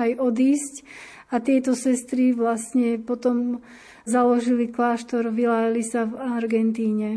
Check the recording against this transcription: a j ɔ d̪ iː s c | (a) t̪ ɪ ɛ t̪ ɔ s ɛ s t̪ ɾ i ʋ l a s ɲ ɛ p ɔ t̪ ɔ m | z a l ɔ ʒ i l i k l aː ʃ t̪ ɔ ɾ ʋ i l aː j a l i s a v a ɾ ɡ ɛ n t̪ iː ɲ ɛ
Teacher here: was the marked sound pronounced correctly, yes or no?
yes